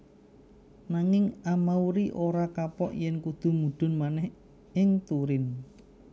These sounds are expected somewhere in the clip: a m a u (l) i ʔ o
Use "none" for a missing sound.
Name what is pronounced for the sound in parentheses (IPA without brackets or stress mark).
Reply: ɾ